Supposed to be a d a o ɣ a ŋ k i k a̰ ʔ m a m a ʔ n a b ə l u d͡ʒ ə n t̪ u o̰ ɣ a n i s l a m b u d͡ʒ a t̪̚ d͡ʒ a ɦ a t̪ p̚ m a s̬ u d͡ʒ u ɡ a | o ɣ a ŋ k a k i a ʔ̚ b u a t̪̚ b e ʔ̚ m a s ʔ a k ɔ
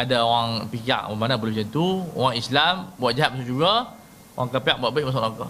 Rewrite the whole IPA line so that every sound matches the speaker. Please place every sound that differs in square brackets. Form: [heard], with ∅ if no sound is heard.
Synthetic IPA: a d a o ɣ a ŋ [p] i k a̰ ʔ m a m a [∅] n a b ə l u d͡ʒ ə n t̪ u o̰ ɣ a [ŋ] i s l a m b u [∅] a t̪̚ d͡ʒ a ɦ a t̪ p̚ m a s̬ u d͡ʒ u ɡ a | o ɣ a ŋ k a [p] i a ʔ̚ b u a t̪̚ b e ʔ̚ m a s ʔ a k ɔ